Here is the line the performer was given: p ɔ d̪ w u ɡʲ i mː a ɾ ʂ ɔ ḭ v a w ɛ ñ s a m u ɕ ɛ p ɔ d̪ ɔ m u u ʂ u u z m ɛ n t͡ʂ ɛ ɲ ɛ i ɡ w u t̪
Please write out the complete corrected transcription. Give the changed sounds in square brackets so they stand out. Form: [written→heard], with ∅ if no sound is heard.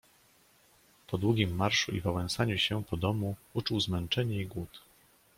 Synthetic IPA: p ɔ d̪ w u ɡʲ i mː a ɾ ʂ [ɔ→u] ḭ v a w ɛ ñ s a [m→ɲ] u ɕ ɛ p ɔ d̪ ɔ m u u [ʂ→t͡ʂ] u [u→w] z m ɛ n t͡ʂ ɛ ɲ ɛ i ɡ w u t̪

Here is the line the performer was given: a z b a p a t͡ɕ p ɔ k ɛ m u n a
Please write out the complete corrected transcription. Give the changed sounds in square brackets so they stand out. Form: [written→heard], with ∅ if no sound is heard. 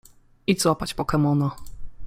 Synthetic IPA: [a→i] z [b→w] a p a t͡ɕ p ɔ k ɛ m [u→ɔ] n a

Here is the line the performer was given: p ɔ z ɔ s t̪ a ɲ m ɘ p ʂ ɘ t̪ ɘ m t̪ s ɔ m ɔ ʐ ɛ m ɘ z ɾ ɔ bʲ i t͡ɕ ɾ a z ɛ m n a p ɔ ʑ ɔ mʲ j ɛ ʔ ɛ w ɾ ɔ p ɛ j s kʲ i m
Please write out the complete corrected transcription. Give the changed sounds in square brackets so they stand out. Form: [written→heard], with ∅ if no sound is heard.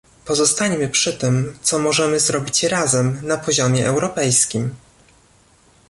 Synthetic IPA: p ɔ z ɔ s t̪ a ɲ m ɘ p ʂ ɘ t̪ ɘ m t̪ s ɔ m ɔ ʐ ɛ m ɘ z ɾ ɔ bʲ i t͡ɕ ɾ a z ɛ m n a p ɔ ʑ ɔ mʲ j ɛ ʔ ɛ w ɾ ɔ p ɛ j s kʲ i m

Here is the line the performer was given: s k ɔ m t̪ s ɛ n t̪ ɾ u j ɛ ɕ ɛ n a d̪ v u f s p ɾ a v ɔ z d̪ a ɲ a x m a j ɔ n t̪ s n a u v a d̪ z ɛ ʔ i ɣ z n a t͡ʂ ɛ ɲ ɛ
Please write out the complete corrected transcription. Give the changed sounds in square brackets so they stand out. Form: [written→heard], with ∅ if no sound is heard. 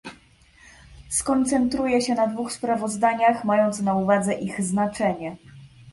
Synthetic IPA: s k ɔ [m→n] t̪ s ɛ n t̪ ɾ u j ɛ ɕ ɛ n a d̪ v u [f→x] s p ɾ a v ɔ z d̪ a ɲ a x m a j ɔ n t̪ s n a u v a d̪ z ɛ ʔ i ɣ z n a t͡ʂ ɛ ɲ ɛ

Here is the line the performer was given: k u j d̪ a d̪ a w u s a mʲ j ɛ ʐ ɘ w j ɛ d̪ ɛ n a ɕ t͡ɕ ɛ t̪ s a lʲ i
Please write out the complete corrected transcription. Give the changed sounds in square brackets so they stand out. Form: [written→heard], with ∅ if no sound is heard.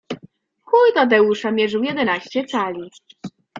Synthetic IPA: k u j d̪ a d̪ [a→ɛ] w u [s→ʂ] a mʲ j ɛ ʐ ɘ w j ɛ d̪ ɛ n a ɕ t͡ɕ ɛ t̪ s a lʲ i

